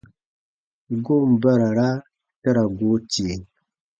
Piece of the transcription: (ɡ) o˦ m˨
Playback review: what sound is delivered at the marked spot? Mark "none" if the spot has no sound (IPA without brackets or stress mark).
ɡ